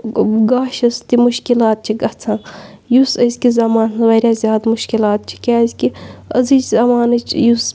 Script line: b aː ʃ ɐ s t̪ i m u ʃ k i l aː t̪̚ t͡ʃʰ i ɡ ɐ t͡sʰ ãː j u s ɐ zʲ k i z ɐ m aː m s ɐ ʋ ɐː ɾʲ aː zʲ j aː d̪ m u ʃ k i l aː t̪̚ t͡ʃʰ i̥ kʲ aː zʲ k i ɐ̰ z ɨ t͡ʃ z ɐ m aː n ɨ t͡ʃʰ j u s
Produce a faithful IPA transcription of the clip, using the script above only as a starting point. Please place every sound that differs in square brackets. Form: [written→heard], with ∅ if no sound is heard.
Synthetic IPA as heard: [b→ɡ] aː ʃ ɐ s t̪ i m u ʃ k i l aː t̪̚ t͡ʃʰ i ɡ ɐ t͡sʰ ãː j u s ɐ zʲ k i z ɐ m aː [m→n] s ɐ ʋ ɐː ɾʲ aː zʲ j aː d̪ m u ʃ k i l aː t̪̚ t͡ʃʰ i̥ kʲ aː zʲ k i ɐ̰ z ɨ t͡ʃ z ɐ m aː n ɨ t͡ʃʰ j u s